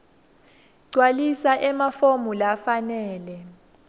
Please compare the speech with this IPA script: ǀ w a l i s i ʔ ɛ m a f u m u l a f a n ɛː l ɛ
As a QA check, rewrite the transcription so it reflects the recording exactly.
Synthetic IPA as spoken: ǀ w a l i s a ʔ ɛ m a f o m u l a f a n ɛː l ɛ